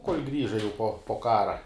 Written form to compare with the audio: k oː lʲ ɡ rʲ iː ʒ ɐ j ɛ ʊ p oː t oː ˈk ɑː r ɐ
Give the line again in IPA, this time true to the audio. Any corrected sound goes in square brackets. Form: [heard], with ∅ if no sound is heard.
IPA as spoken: k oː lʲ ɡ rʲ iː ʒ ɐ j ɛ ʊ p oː [p] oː ˈk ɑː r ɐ